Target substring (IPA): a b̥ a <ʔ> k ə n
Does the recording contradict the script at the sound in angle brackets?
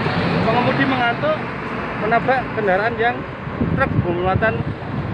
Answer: no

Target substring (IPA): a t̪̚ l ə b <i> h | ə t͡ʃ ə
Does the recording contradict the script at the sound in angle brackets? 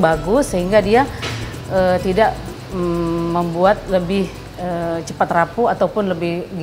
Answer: yes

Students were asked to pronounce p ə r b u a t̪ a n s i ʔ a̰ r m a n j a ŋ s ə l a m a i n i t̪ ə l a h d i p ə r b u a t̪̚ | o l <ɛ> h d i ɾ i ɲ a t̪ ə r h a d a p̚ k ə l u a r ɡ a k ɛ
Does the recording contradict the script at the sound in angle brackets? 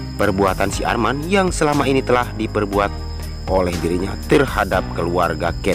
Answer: no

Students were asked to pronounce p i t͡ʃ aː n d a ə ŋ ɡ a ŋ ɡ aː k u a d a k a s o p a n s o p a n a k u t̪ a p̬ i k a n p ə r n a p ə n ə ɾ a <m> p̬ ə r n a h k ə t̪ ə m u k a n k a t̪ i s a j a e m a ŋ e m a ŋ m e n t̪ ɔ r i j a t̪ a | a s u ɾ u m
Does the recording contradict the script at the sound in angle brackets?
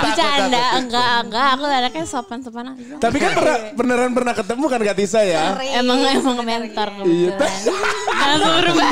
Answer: yes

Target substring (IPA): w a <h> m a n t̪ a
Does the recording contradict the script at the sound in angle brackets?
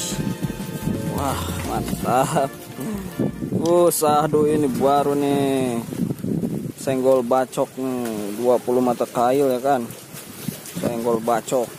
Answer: no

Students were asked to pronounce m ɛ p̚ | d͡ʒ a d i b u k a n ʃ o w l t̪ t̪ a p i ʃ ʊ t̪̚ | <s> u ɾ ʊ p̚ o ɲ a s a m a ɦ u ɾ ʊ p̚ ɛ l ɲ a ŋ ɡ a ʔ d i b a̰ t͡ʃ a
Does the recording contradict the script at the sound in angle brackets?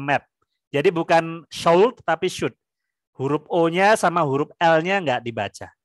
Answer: yes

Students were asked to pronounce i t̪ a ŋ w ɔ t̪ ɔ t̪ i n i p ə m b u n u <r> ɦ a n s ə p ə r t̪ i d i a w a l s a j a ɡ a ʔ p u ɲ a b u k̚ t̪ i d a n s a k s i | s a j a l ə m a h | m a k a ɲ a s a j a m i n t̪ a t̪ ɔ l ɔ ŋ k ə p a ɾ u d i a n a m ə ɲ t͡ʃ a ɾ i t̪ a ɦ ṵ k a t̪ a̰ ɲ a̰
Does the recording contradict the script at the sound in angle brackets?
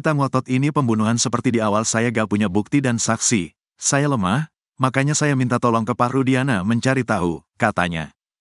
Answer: yes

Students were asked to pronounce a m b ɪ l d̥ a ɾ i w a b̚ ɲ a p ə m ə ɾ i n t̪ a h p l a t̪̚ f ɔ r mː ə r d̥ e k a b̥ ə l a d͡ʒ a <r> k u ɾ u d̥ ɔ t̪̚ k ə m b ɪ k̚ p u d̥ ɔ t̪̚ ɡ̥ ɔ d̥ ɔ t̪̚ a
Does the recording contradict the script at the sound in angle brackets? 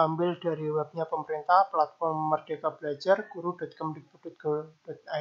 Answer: no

